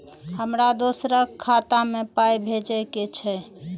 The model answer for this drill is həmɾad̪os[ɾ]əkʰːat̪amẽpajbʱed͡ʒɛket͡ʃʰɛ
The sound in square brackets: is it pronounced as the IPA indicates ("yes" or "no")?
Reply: yes